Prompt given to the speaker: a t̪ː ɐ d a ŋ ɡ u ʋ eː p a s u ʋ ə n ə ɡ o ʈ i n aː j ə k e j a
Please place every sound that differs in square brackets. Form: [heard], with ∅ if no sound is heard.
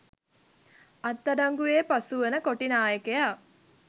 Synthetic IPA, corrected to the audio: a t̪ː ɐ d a ŋ ɡ u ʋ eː p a s u ʋ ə n ə [k] o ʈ i n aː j ə k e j a